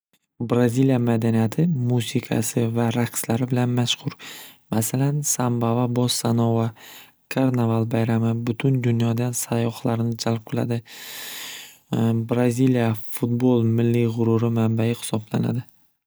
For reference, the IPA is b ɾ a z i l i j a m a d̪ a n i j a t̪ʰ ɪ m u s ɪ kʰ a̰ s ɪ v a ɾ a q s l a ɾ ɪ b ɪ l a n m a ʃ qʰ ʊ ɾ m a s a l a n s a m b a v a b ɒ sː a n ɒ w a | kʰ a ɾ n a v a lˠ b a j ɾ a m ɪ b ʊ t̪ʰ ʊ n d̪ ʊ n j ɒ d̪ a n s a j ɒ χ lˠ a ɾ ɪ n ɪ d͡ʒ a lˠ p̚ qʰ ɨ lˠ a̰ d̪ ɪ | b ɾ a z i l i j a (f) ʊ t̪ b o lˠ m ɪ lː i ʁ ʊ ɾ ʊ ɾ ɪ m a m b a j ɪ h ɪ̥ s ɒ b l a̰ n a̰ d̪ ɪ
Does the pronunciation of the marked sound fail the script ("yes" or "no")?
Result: no